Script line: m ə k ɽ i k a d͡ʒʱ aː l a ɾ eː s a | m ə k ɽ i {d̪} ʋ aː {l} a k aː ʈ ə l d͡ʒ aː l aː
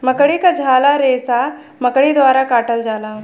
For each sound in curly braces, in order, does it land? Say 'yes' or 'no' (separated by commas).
yes, no